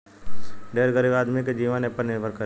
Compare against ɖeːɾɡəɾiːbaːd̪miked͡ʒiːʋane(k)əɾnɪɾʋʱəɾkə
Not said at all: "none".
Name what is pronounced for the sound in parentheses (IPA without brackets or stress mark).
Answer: p